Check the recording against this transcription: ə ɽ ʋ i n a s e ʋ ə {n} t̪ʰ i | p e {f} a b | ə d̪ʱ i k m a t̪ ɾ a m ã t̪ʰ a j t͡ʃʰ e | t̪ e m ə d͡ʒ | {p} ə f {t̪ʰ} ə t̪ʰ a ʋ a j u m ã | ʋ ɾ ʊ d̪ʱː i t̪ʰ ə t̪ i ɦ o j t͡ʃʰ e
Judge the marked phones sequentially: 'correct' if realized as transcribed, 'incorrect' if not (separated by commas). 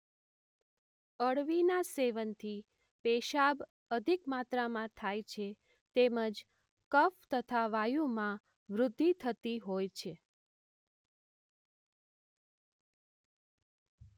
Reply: correct, incorrect, incorrect, incorrect